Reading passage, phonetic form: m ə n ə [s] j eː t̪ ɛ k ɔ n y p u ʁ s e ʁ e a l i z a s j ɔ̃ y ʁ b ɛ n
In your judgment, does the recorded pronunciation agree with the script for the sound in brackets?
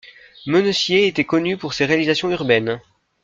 yes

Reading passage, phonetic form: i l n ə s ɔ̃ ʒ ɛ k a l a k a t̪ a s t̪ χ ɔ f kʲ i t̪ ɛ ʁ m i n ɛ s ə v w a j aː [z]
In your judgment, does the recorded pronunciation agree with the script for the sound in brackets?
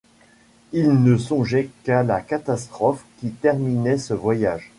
no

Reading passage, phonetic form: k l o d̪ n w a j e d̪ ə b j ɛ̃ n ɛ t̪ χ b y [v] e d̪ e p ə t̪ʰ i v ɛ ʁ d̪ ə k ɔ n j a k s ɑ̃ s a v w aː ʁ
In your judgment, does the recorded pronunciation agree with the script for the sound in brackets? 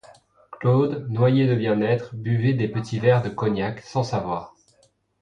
yes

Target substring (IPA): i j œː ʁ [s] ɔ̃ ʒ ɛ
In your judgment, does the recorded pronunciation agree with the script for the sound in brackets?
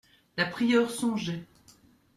yes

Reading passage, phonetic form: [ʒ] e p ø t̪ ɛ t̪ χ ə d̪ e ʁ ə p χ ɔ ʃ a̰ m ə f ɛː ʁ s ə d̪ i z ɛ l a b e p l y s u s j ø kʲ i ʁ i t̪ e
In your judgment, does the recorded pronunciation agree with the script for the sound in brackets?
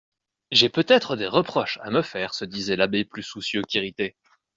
yes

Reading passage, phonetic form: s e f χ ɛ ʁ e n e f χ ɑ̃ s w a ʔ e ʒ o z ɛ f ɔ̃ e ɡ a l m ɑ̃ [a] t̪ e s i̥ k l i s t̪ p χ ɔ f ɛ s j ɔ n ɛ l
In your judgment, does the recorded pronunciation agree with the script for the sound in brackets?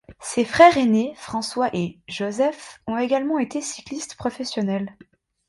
no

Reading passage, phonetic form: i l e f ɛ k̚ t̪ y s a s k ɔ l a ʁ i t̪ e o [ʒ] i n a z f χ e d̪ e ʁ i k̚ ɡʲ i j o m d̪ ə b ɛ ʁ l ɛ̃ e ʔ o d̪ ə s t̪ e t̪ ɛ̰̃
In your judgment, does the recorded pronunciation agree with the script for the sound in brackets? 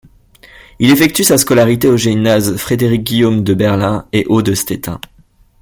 yes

